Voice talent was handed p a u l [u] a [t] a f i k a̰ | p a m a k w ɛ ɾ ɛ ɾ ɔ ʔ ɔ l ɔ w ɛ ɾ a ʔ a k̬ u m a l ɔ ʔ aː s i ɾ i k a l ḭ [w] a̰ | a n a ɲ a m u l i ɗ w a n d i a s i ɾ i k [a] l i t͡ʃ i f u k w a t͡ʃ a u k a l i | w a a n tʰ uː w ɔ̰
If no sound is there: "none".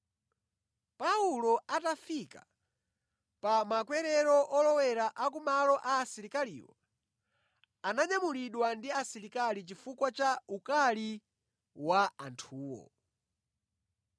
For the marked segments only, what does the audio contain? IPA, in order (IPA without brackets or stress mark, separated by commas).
ɔ, t, w, a